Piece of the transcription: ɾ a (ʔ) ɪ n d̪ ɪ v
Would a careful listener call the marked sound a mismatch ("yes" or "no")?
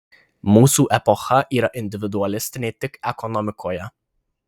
no